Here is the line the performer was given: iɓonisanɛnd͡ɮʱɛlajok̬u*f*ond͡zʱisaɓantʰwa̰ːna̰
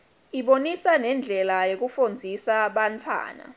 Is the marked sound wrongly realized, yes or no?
no